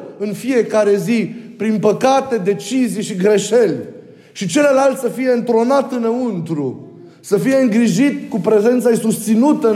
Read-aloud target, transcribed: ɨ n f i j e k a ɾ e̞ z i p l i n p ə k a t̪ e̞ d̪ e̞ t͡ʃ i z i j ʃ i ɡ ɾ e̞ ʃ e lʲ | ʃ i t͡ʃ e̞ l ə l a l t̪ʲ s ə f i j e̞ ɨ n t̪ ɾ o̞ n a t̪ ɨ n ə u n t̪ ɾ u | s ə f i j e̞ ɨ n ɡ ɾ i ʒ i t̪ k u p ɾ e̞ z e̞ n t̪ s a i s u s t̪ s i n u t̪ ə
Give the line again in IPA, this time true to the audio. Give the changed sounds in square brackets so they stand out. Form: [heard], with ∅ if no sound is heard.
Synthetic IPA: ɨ n f i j e k a ɾ e̞ z i p [ɾ] i n p ə k a t̪ e̞ d̪ e̞ t͡ʃ i z i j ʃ i ɡ ɾ e̞ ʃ e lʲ | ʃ i t͡ʃ e̞ l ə l a l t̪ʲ s ə f i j e̞ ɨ n t̪ ɾ o̞ n a t̪ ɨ n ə u n t̪ ɾ u | s ə f i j e̞ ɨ [ŋ] ɡ ɾ i ʒ i t̪ k u p ɾ e̞ z e̞ n t̪ s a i s u s t̪ s i n u t̪ ə